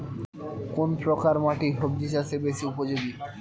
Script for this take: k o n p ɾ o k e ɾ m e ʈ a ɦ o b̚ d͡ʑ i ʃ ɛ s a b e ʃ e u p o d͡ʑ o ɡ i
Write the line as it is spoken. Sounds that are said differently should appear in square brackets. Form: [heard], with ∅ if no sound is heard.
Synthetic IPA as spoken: k o n p ɾ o k [a] ɾ m [a] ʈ [i] ɦ o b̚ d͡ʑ i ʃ [a] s [e] b e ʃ [i] u p o d͡ʑ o ɡ i